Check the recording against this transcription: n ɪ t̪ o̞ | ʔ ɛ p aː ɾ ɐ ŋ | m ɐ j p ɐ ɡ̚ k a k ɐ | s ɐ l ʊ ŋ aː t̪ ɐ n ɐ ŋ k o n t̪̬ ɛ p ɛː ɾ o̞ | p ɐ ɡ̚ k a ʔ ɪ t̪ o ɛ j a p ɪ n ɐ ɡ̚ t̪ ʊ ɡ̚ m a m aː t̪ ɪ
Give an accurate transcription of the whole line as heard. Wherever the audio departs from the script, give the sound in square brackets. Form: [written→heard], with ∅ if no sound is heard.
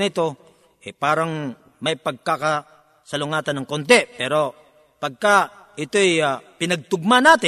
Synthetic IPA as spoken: n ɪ t̪ o̞ | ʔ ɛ p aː ɾ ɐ ŋ | m ɐ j p ɐ ɡ̚ k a k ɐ | s ɐ l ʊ ŋ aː t̪ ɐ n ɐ ŋ k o n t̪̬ ɛ p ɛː ɾ o̞ | p ɐ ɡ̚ k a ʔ ɪ t̪ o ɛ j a p ɪ n ɐ ɡ̚ t̪ ʊ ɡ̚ m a [m→n] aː t̪ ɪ